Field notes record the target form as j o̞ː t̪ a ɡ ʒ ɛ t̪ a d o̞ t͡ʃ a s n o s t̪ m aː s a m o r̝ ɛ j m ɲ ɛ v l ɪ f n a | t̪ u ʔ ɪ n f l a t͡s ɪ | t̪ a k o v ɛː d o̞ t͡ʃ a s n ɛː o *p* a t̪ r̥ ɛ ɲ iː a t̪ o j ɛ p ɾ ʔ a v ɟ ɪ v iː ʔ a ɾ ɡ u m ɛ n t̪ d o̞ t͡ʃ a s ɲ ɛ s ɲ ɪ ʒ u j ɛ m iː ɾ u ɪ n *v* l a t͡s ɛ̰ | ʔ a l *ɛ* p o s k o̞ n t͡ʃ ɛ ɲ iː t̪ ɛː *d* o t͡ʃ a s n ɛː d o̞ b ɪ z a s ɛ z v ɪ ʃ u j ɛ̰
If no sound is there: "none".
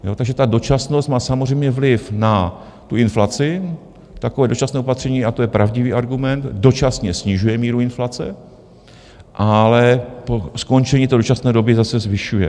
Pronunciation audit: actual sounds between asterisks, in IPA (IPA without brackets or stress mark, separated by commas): p, f, ɛ, d